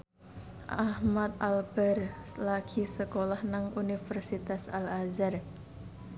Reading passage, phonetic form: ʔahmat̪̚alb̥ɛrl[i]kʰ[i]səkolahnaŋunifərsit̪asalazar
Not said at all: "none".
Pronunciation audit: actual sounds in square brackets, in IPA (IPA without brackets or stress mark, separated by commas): a, i